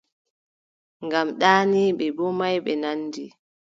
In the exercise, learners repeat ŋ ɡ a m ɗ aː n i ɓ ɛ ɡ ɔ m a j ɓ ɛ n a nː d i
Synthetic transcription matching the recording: ŋ ɡ a m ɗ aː n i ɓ ɛ b ɔ m a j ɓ ɛ n a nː d i